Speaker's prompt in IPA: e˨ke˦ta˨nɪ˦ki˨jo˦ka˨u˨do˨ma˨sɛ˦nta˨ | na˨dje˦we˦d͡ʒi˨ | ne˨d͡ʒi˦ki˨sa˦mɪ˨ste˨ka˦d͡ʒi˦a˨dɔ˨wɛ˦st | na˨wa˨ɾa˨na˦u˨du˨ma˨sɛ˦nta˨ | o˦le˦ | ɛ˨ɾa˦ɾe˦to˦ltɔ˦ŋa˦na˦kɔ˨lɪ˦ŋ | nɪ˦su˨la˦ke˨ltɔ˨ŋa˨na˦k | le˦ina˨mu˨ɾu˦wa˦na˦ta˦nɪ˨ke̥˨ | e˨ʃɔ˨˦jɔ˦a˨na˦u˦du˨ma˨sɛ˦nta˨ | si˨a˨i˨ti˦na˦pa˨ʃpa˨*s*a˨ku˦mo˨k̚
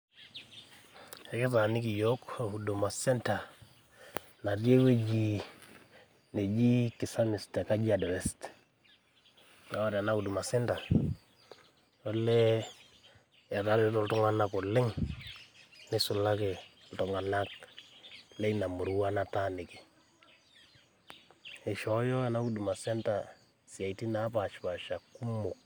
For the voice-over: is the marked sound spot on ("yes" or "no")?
no